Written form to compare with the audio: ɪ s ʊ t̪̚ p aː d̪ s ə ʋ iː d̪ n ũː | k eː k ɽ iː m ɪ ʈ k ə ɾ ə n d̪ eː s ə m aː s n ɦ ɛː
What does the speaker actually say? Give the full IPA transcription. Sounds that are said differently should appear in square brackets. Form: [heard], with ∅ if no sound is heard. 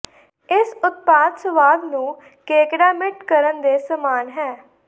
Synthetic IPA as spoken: ɪ s ʊ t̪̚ p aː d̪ s ə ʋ [aː] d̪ n ũː | k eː k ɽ [aː] m ɪ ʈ k ə ɾ ə n d̪ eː s ə m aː [∅] n ɦ ɛː